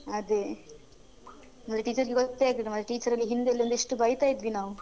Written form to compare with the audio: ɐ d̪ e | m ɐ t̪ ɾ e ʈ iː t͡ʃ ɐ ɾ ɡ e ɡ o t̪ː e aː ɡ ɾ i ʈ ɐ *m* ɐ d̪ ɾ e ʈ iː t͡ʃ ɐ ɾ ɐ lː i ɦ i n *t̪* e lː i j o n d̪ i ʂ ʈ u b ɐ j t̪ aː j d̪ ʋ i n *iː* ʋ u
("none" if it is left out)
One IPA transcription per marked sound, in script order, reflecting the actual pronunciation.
m, d̪, aː

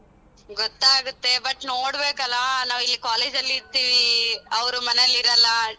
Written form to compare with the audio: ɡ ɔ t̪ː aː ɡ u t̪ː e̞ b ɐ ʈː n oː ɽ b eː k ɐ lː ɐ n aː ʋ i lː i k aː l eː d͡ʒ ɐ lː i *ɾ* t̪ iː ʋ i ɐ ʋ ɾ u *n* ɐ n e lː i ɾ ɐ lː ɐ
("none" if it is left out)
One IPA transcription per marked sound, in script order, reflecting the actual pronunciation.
ɾ, m

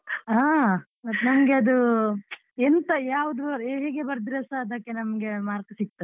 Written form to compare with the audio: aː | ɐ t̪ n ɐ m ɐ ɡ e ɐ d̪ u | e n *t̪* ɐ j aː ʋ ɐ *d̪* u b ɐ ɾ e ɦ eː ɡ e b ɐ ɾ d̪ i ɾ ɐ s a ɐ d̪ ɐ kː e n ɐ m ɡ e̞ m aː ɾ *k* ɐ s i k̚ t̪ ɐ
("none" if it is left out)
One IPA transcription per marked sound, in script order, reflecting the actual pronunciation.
t̪, d̪, k

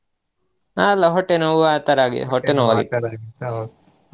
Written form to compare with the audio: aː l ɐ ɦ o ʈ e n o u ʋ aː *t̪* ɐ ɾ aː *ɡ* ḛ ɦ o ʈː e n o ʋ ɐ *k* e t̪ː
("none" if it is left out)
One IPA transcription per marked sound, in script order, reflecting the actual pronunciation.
t̪, ɡ, ɡ

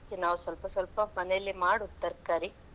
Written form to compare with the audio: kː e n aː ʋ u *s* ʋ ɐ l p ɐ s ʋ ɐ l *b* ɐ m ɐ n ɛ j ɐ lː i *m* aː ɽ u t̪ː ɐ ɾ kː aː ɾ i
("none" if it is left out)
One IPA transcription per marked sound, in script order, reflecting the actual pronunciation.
s, p, m

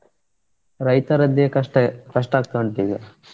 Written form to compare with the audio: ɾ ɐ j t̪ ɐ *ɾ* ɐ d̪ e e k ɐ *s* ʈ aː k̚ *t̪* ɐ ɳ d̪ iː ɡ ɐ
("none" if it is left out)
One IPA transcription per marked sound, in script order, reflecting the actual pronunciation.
ɾ, ʂ, t̪

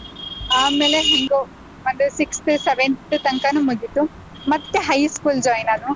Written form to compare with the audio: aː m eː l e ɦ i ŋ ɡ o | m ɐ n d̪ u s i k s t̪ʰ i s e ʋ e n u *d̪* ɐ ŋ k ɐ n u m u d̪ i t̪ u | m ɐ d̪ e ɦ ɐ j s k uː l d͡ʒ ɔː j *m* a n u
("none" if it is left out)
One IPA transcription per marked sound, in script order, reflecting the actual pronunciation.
t̪, n

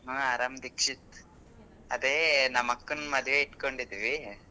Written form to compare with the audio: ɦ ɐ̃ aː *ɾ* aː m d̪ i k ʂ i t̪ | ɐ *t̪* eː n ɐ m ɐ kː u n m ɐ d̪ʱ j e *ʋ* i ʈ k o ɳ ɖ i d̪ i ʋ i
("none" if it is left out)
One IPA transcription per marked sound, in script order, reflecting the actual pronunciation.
ɾ, d̪, none

